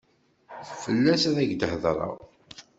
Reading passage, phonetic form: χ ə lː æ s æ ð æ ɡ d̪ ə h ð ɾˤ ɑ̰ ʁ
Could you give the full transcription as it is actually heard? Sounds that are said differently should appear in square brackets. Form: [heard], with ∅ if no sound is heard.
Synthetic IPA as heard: [f] ə lː æ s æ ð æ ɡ d̪ ə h ð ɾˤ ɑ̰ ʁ